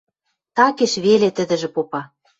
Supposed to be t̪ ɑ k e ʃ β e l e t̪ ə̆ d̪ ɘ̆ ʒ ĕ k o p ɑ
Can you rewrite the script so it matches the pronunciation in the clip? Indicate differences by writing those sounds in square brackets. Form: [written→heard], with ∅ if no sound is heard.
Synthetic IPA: t̪ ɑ k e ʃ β e l e t̪ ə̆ d̪ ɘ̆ ʒ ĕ [k→p] o p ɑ